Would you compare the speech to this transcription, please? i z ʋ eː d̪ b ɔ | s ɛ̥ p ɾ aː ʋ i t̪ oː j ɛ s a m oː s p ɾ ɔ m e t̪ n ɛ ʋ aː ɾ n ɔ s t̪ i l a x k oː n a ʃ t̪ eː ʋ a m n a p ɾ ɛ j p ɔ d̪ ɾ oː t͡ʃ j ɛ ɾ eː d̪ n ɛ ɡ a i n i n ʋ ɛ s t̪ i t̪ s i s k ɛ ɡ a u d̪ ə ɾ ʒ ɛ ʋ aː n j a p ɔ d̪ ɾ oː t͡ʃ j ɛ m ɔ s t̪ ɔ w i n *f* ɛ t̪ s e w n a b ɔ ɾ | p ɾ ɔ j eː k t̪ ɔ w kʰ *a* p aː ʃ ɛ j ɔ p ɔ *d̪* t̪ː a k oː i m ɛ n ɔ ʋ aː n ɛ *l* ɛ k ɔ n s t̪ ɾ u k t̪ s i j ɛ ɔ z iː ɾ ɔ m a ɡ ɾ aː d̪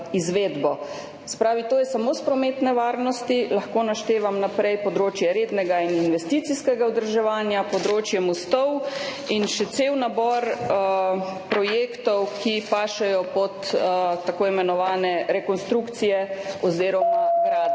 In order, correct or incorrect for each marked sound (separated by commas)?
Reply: incorrect, incorrect, incorrect, incorrect